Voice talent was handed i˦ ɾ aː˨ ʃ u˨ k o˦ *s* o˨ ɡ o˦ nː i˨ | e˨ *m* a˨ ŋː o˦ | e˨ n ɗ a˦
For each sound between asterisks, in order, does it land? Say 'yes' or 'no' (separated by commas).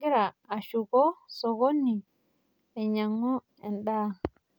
yes, no